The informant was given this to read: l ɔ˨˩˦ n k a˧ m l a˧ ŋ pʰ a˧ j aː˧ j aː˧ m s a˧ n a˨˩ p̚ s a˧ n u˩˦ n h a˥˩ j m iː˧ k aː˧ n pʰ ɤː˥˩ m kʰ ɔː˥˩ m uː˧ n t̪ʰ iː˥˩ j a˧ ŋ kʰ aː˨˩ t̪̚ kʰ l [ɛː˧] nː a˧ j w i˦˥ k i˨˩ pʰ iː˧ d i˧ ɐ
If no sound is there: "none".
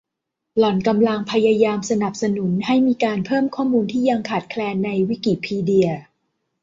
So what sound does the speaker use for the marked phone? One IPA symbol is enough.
ɛː˧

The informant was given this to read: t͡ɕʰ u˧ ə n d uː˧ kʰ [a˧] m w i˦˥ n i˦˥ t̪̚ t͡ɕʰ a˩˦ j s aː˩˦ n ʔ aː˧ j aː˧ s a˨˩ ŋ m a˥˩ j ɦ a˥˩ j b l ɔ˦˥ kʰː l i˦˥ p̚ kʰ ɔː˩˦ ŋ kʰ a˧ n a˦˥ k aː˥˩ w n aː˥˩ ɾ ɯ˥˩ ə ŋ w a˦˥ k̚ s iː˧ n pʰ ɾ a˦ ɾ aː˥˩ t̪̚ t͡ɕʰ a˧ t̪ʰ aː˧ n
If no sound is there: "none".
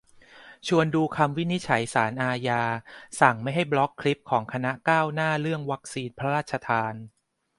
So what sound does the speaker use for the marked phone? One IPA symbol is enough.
a˧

